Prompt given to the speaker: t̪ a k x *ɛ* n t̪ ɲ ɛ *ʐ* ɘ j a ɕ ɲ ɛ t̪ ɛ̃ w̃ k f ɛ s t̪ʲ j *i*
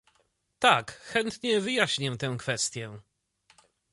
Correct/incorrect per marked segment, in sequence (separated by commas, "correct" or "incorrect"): correct, incorrect, incorrect